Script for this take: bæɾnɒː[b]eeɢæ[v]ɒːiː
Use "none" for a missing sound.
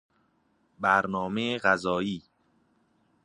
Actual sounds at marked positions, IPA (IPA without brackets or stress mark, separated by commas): m, z